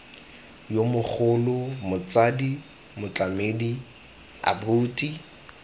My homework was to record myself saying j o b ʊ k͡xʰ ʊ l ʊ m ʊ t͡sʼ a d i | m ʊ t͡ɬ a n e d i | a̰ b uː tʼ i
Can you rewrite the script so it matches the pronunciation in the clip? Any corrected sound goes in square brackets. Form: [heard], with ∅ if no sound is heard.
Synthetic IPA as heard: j o [m] ʊ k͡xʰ ʊ l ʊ m ʊ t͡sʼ a d i | m ʊ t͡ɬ a [m] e d i | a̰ b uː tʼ i